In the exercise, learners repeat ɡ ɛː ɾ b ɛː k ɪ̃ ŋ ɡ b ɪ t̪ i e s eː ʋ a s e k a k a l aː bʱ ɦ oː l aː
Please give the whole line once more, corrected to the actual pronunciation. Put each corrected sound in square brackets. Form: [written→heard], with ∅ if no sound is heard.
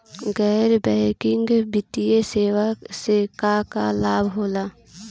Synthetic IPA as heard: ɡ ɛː ɾ b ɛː k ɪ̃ ŋ ɡ b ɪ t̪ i e s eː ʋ a s e k a k a l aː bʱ ɦ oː l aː

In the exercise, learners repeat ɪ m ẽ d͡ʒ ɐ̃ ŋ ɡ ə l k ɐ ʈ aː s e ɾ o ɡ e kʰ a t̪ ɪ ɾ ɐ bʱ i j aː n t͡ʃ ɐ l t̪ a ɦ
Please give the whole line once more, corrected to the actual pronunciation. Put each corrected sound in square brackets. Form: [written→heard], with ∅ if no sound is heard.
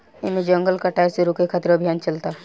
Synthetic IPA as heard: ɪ m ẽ d͡ʒ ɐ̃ ŋ ɡ ə l k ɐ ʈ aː s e ɾ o [ɡ→k] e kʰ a t̪ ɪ ɾ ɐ bʱ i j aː n t͡ʃ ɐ l t̪ a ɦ

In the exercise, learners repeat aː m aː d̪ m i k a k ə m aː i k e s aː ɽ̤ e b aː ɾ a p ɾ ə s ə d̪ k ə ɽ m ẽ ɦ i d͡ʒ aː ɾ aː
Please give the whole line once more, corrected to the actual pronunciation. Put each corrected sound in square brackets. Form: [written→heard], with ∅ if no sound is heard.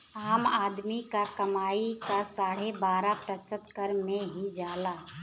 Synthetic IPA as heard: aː m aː d̪ m i k a k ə m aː i k [e→a] s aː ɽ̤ e b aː ɾ a p ɾ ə s ə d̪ k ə [ɽ→ɾ] m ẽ ɦ i d͡ʒ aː [ɾ→l] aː

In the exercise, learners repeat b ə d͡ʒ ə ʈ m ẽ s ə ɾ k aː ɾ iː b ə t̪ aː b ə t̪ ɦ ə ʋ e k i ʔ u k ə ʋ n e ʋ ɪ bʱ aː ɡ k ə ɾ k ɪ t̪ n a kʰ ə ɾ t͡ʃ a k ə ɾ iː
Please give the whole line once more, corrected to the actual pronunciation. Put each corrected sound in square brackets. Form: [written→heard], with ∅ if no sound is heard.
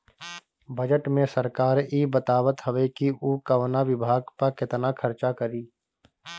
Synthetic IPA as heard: b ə d͡ʒ ə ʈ m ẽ s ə ɾ k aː ɾ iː b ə t̪ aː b ə t̪ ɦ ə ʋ e k i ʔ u k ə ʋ n [e→a] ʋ ɪ bʱ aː ɡ [k→p] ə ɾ k ɪ t̪ n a kʰ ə ɾ t͡ʃ a k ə ɾ iː

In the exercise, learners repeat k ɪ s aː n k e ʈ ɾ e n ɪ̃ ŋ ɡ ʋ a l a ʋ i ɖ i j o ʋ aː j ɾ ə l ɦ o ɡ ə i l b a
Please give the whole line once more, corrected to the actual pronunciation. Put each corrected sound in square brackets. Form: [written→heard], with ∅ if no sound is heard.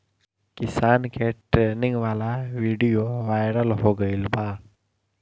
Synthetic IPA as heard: k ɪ s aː n k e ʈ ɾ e n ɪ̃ ŋ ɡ ʋ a l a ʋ i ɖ i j o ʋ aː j ɾ ə l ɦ o ɡ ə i l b a

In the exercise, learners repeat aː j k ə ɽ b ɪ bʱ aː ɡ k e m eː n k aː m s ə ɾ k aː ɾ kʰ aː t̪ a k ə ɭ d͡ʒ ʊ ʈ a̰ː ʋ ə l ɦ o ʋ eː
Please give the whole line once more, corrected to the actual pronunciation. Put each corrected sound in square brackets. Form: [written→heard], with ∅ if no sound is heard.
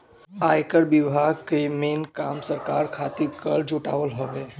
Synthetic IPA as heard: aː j k ə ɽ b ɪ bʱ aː ɡ k e m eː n k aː m s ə ɾ k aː ɾ kʰ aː t̪ [a→i] k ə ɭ d͡ʒ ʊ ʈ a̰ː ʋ ə l ɦ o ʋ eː

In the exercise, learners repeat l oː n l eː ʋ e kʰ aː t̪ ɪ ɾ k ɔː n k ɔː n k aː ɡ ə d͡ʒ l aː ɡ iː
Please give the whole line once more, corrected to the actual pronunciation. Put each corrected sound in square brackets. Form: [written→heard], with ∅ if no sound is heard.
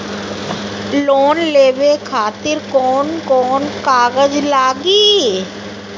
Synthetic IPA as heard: l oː n l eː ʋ e kʰ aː t̪ ɪ ɾ k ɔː n k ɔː n k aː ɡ ə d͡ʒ l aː ɡ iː

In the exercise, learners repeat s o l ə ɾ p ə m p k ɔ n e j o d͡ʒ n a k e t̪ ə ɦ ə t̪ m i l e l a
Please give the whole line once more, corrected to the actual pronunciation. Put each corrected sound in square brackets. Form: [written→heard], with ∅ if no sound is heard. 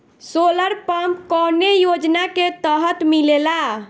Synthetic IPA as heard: s o l ə ɾ p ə m p k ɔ n e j o d͡ʒ n a k e t̪ ə ɦ ə t̪ m i l e l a

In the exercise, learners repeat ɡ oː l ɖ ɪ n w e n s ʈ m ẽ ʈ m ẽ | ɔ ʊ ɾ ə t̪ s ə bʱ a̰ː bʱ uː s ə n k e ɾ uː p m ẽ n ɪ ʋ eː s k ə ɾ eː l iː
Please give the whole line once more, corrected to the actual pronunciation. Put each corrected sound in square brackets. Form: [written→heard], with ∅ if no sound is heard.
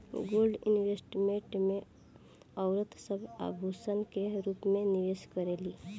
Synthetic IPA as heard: ɡ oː l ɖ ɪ n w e [n→∅] s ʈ m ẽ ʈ m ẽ | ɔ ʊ ɾ ə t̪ s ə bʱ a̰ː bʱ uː s ə n k e ɾ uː p m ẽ n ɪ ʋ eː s k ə ɾ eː l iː

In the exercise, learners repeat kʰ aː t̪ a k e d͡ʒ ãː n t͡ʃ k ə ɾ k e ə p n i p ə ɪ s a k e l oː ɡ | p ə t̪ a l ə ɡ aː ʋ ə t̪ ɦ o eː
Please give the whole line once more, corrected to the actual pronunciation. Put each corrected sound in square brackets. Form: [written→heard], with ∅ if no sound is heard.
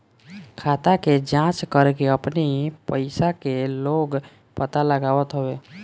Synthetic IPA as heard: kʰ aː t̪ a k e d͡ʒ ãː [n→∅] t͡ʃ k ə ɾ k e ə p n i p ə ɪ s a k e l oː ɡ | p ə t̪ a l ə ɡ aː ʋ ə t̪ ɦ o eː

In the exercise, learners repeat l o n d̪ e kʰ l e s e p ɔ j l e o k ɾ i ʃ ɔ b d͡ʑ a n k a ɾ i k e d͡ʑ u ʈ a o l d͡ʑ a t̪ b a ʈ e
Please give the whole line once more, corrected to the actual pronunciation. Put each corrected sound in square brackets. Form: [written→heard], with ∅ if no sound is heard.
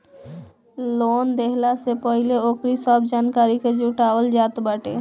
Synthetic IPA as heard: l o n d̪ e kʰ l [e→a] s e p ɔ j l e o k ɾ i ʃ ɔ b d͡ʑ a n k a ɾ i k e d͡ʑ u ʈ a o l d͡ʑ a t̪ b a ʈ e

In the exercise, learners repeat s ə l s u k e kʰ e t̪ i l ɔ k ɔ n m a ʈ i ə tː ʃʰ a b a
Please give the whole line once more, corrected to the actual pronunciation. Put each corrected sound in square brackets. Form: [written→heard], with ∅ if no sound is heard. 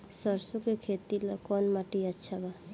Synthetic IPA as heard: s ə [l→ɾ] s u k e kʰ e t̪ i l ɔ k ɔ n m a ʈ i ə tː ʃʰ a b a

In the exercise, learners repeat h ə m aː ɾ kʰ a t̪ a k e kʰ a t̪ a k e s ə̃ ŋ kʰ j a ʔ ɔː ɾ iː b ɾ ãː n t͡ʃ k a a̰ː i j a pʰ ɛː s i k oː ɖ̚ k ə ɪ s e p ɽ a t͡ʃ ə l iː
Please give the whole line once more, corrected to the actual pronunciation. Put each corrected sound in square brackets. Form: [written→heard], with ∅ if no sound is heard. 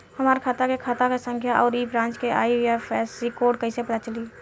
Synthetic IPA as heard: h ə m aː ɾ kʰ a t̪ a k e kʰ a t̪ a k e s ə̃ ŋ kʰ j a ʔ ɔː ɾ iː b ɾ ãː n t͡ʃ k [a→e] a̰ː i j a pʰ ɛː s i k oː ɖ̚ k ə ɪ s e p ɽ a t͡ʃ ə l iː

